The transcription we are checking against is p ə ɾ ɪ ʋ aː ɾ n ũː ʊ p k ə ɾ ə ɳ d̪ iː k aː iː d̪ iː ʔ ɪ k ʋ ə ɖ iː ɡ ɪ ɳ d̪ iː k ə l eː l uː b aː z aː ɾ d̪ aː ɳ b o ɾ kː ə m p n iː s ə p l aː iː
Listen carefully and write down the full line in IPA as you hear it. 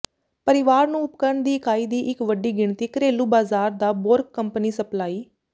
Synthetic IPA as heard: p ə ɾ ɪ ʋ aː ɾ n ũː ʊ p k ə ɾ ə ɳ d̪ iː k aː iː d̪ iː ʔ ɪ k ʋ ə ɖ iː ɡ ɪ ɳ t̪ iː k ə ɾ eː l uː b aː z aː ɾ d̪ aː b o ɾ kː ə m p n iː s ə p l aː iː